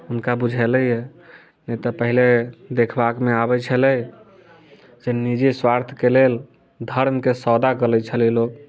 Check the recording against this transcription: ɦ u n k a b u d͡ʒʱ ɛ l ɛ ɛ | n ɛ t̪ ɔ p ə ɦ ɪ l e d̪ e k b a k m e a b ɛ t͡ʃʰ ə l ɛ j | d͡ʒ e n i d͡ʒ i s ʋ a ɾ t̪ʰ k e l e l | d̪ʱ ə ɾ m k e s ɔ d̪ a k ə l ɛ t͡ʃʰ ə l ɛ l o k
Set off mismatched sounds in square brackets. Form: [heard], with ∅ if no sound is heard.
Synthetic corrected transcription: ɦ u n k a b u d͡ʒʱ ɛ l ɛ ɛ | n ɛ t̪ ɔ p ə ɦ [i] l e d̪ e [kʰ] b a k m e a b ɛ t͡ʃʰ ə l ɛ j | d͡ʒ e n i d͡ʒ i s [w] a ɾ t̪ʰ k e l e l | d̪ʱ ə ɾ m k e s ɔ d̪ a k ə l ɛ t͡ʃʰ ə l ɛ l o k